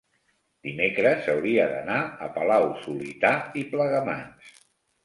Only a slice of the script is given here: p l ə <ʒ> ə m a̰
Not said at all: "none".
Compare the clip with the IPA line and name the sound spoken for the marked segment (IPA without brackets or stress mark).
ɣ